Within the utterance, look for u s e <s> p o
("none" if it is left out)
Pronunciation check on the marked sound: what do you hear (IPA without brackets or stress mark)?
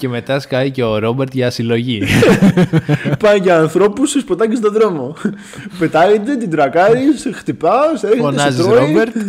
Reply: s